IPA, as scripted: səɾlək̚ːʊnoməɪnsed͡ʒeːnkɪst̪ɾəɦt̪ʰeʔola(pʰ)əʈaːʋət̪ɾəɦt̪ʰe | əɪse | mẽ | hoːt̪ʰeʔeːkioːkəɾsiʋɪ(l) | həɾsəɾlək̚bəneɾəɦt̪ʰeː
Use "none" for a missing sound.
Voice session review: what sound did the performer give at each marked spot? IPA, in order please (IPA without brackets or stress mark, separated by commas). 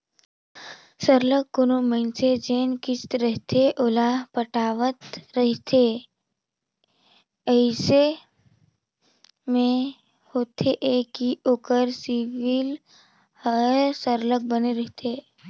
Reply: p, l